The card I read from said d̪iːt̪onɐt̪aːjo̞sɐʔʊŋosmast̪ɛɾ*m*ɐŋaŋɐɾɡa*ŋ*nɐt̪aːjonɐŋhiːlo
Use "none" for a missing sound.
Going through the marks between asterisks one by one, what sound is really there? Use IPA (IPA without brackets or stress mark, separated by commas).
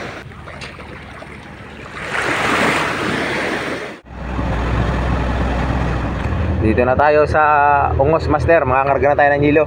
m, none